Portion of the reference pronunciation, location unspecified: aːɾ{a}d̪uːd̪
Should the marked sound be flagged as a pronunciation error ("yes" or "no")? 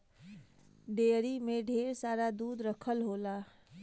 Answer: no